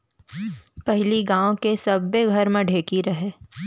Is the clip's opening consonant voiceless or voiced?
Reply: voiceless